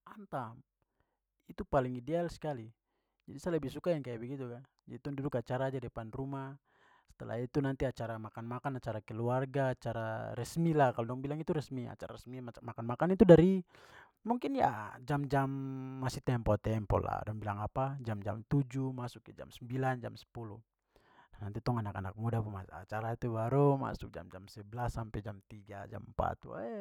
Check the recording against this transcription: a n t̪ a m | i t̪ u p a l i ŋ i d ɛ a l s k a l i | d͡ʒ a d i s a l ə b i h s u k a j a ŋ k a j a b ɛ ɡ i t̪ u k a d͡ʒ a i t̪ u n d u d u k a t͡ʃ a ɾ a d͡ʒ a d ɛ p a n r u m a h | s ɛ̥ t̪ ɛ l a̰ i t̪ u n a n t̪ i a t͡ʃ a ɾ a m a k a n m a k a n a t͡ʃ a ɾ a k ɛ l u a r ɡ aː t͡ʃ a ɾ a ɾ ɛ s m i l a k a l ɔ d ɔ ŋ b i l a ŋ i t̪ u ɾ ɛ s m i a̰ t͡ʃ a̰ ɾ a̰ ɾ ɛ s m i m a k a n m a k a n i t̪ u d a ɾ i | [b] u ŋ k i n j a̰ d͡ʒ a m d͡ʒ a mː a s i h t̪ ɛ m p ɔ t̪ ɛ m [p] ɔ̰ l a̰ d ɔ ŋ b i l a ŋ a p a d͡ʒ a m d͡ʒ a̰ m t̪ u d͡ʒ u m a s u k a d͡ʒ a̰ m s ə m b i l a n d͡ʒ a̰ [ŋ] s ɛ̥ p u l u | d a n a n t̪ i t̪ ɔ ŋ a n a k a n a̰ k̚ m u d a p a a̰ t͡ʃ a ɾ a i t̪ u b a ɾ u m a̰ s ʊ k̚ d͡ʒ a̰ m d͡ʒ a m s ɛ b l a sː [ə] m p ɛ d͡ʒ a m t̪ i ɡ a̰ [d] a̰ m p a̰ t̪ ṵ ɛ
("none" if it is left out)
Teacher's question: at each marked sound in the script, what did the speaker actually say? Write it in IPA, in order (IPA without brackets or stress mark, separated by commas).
m, p, m, a, d͡ʒ